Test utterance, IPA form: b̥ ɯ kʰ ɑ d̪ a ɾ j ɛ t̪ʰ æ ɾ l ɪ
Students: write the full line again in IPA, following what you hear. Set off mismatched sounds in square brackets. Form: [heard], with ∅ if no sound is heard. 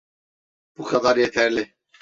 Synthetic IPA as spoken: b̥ [u] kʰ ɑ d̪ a ɾ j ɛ t̪ʰ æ ɾ l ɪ